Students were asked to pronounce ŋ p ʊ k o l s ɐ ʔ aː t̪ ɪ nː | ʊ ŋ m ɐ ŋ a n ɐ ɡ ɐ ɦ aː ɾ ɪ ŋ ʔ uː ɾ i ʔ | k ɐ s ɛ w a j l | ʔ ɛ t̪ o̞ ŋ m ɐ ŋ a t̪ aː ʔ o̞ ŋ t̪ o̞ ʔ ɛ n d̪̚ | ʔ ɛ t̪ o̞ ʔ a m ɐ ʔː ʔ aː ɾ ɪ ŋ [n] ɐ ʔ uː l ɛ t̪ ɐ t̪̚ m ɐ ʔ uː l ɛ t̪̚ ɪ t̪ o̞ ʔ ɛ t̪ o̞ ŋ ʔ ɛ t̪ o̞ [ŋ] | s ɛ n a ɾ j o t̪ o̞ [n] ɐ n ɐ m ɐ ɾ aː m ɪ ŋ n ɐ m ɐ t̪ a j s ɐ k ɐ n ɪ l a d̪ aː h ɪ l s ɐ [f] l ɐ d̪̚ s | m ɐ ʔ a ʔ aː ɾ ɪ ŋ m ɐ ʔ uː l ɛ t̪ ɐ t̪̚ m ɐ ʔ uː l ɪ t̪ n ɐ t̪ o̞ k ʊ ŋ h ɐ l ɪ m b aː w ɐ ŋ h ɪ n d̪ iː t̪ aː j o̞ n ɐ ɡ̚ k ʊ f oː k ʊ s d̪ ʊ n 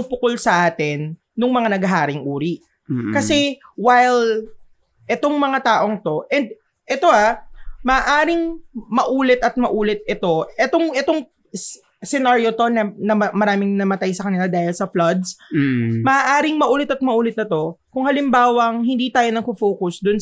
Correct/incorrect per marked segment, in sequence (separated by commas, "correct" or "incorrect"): incorrect, correct, correct, correct